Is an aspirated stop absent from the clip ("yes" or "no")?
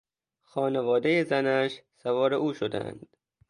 yes